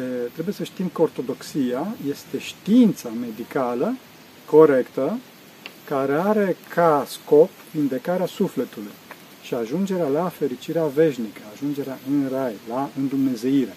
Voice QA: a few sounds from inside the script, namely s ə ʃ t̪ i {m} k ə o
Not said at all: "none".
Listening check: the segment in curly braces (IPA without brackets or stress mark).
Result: m